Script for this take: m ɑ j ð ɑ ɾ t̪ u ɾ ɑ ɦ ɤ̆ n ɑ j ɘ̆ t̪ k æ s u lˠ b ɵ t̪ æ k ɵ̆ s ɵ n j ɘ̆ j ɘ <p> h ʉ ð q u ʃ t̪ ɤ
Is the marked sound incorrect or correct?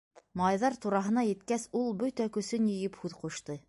correct